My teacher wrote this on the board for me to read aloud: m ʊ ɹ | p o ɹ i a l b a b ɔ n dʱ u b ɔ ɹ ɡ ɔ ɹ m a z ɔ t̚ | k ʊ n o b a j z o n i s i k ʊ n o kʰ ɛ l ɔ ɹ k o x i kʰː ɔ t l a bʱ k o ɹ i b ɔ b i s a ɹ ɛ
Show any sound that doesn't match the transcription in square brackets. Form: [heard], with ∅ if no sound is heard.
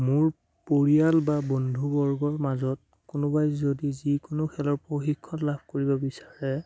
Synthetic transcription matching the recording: m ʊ ɹ | p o ɹ i a l b a b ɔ n dʱ u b ɔ ɹ ɡ ɔ ɹ m a z ɔ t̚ | k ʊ n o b a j z o [d] i [z] i k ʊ n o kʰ ɛ l ɔ ɹ [p] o x i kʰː ɔ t l a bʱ k o ɹ i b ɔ b i s a ɹ ɛ